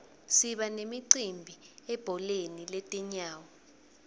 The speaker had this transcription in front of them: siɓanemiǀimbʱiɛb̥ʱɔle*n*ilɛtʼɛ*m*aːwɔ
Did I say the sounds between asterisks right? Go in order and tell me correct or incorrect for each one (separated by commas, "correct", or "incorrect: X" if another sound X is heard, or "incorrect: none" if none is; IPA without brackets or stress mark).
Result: correct, incorrect: ɲ